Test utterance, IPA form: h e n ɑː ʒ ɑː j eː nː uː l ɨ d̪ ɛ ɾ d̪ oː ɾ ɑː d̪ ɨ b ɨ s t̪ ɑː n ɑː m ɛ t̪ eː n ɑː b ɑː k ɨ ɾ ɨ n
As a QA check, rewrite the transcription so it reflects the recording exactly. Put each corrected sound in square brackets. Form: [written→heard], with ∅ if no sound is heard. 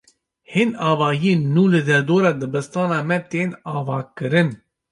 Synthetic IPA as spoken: h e n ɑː [ʒ→v] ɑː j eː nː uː l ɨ d̪ ɛ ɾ d̪ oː ɾ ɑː d̪ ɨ b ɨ s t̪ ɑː n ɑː m ɛ t̪ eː n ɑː [b→v] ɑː k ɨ ɾ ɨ n

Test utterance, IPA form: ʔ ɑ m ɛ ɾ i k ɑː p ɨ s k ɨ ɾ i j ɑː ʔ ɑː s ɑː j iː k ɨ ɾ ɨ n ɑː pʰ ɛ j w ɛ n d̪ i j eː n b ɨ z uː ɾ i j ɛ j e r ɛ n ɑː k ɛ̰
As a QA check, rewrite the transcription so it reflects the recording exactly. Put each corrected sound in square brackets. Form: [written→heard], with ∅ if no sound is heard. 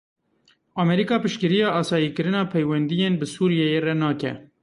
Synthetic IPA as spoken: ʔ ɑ m ɛ ɾ i k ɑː p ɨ [s→ʃ] k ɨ ɾ i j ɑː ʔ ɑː s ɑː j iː k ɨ ɾ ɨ n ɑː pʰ ɛ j w ɛ n d̪ i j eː n b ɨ [z→s] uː ɾ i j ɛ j e r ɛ n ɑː k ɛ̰

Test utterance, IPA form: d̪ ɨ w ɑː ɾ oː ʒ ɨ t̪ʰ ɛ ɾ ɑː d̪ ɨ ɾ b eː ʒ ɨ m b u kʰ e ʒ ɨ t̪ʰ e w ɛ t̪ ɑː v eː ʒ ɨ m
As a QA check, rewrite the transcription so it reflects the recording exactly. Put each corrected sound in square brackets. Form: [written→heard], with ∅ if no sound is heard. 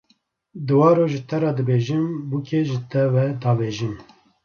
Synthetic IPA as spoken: d̪ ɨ w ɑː ɾ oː ʒ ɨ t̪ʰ ɛ ɾ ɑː d̪ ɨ [ɾ→∅] b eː ʒ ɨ m b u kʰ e ʒ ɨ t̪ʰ [e→ɛ] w ɛ [t̪→d̪] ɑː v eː ʒ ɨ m

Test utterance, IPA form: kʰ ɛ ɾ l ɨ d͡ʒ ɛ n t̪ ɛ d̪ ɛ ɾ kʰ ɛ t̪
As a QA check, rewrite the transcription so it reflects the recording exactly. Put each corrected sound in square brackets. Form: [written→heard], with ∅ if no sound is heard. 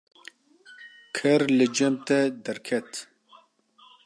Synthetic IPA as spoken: kʰ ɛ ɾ l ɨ d͡ʒ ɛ [n→m] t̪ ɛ d̪ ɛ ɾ kʰ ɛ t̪

